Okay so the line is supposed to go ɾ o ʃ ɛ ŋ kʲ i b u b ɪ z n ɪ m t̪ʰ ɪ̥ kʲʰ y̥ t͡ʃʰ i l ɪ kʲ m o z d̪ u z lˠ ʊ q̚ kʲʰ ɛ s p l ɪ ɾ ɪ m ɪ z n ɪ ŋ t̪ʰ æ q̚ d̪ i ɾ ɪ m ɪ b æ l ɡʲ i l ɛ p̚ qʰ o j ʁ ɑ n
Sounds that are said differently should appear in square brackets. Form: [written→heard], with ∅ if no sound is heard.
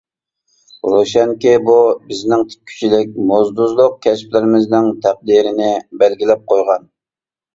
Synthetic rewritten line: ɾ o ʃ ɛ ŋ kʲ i b u b ɪ z n ɪ [m→ŋ] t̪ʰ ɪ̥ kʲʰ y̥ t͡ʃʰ i l ɪ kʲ m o z d̪ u z lˠ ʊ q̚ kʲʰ ɛ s p l ɪ ɾ ɪ m ɪ z n ɪ ŋ t̪ʰ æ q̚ d̪ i ɾ ɪ [m→n] ɪ b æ l ɡʲ i l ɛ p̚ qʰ o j ʁ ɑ n